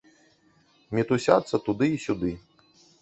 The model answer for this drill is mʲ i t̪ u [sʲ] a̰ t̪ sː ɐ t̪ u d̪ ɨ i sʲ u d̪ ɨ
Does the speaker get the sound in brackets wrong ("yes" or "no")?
no